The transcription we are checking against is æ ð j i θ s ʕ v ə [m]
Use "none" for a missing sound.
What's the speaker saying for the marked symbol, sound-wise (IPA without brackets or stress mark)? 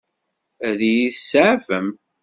m